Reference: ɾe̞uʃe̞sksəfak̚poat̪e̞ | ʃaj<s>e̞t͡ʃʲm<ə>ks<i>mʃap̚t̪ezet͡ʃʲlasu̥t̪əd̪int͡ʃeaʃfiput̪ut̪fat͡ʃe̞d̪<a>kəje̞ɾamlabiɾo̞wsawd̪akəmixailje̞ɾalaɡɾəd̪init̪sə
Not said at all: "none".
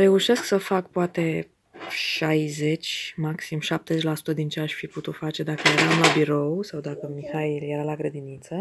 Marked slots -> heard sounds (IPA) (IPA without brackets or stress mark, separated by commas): z, a, i, a